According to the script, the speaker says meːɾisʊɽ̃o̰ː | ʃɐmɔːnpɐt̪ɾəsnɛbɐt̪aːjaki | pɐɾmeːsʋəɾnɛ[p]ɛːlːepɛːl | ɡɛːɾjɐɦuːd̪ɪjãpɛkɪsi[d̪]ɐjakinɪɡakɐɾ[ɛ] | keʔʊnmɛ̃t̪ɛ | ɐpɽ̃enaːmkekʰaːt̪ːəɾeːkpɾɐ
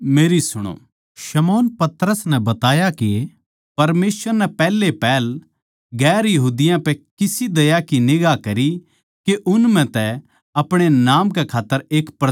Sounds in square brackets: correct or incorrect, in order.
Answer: correct, correct, incorrect

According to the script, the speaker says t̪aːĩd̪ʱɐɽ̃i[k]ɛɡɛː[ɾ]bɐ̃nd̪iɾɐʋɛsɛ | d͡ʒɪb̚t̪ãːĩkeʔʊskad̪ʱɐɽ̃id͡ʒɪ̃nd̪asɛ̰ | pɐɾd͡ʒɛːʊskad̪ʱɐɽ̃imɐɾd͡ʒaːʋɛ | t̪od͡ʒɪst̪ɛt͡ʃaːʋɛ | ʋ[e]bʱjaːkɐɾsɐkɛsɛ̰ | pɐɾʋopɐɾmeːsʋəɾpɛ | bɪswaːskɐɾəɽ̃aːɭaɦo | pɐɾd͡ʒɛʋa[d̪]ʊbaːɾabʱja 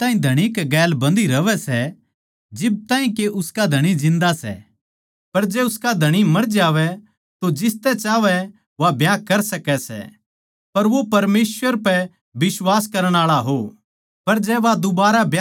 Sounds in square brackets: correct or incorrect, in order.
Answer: correct, incorrect, incorrect, correct

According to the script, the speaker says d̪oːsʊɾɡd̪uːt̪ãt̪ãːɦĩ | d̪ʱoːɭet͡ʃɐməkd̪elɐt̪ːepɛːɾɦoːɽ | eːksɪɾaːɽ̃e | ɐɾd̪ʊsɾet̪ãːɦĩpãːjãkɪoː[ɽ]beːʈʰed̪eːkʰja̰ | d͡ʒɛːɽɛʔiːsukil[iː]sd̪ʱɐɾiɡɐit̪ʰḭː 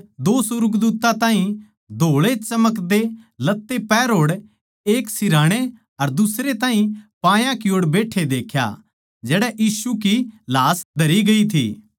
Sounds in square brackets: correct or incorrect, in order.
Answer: correct, incorrect

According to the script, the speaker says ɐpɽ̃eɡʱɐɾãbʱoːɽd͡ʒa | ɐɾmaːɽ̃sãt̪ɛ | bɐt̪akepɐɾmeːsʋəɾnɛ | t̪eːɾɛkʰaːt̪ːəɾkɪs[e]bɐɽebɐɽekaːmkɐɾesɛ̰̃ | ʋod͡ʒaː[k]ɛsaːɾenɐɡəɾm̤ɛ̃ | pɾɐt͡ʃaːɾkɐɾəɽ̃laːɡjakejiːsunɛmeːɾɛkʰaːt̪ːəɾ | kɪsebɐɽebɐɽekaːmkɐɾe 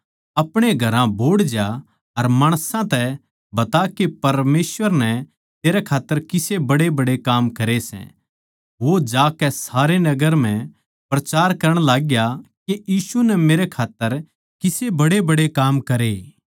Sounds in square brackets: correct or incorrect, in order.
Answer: correct, correct

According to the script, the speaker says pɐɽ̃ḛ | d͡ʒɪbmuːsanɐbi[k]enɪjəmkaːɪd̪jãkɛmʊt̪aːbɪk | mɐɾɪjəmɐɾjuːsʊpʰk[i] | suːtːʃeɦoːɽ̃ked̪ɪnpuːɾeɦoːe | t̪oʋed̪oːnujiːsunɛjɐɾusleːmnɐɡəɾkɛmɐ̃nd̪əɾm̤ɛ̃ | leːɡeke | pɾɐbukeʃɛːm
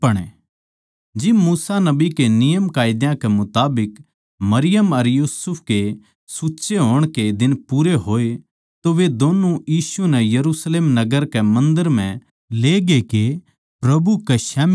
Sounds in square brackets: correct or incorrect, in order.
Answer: correct, incorrect

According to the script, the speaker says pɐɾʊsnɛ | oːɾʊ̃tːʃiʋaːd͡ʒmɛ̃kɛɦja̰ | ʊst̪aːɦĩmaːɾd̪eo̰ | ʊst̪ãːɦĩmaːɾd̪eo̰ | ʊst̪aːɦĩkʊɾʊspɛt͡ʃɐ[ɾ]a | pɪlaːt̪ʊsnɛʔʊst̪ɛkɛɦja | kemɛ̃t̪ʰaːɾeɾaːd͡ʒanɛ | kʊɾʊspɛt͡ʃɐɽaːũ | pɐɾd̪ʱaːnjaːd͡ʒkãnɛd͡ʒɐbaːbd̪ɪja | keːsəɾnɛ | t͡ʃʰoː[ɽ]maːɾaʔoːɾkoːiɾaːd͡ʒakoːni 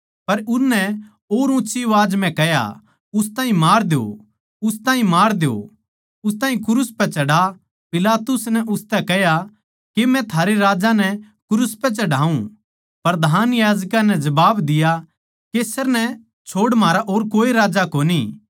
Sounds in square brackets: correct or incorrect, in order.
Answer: incorrect, correct

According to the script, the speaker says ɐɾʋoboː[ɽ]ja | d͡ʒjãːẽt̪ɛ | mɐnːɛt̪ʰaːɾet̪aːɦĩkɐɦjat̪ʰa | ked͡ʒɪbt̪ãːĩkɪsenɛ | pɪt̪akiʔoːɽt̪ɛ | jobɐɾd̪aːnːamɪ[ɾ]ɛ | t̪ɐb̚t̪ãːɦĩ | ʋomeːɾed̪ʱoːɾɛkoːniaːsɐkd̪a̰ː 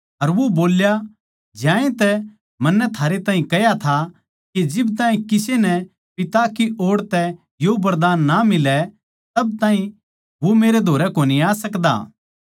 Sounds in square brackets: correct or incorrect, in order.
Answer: incorrect, incorrect

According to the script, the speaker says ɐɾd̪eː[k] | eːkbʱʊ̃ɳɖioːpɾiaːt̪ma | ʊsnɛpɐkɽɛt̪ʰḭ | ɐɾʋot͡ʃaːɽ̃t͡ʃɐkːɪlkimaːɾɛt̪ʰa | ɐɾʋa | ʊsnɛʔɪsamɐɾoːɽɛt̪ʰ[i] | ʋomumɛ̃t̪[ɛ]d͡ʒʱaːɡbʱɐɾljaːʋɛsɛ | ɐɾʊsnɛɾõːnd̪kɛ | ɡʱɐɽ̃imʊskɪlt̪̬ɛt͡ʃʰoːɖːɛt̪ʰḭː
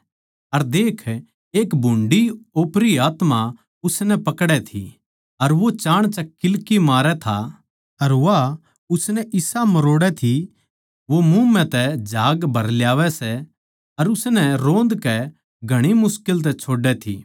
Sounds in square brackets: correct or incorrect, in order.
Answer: incorrect, correct, correct

